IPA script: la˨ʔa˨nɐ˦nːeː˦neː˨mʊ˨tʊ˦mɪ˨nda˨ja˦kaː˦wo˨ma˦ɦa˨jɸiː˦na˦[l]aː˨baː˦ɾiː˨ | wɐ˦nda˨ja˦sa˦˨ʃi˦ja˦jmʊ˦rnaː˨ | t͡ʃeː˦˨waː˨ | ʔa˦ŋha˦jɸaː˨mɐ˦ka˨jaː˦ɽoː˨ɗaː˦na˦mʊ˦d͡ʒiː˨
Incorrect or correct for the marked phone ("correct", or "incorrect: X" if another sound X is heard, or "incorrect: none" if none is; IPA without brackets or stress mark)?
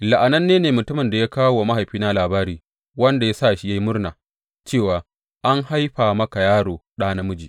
correct